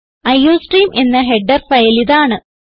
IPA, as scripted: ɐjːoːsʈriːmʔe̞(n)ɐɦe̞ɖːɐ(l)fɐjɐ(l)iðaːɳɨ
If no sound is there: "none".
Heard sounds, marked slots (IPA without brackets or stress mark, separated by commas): nː, r, l